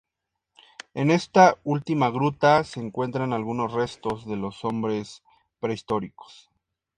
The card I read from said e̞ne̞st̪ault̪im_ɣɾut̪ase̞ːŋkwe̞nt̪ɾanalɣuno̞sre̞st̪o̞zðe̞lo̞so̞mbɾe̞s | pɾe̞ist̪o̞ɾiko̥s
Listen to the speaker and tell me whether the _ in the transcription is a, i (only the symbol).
a